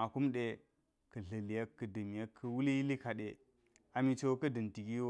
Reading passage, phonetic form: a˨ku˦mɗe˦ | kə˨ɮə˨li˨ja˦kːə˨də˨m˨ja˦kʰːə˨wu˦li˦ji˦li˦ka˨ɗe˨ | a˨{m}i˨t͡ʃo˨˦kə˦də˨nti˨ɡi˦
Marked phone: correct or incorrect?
correct